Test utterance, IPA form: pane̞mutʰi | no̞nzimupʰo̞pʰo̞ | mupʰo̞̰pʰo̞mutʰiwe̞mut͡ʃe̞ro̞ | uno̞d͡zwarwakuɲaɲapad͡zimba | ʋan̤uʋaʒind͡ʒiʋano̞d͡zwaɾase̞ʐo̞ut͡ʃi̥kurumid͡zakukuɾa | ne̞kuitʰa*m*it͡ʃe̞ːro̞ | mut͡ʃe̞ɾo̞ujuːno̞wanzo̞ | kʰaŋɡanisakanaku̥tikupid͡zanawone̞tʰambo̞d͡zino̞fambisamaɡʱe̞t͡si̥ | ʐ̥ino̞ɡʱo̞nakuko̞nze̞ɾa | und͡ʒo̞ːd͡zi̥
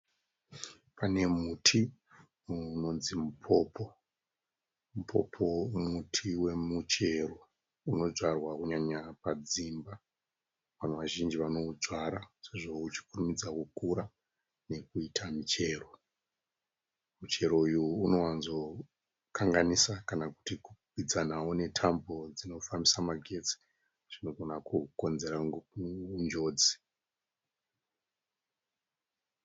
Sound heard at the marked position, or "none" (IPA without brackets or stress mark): m